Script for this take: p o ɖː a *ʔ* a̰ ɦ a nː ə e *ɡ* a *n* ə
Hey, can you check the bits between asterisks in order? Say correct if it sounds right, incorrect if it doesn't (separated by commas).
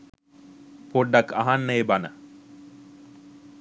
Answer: incorrect, incorrect, correct